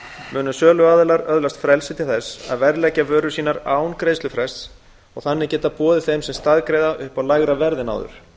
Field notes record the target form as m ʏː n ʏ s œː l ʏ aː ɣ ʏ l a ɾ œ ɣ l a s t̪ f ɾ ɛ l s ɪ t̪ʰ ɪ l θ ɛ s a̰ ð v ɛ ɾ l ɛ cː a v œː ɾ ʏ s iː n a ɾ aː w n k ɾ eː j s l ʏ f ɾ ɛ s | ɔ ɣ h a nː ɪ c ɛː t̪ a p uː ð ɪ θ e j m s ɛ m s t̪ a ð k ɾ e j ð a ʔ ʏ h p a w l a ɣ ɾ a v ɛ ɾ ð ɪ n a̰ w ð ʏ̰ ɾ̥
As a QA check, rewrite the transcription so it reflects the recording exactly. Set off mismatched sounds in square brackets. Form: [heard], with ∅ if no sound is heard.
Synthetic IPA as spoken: m ʏː n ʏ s œː l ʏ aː [ð] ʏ l a ɾ œ [ð] l a s t̪ f ɾ ɛ l s ɪ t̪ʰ ɪ l θ ɛ s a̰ ð v ɛ ɾ l ɛ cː a v œː ɾ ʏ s iː n a ɾ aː w n k ɾ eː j s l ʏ f ɾ ɛ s | ɔ ɣ [θ] a nː ɪ c ɛː t̪ a p [ɔː] ð ɪ θ e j m s ɛ m s t̪ a ð k ɾ e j ð a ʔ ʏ h p a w l a ɣ ɾ a v ɛ ɾ ð ɪ n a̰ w ð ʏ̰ ɾ̥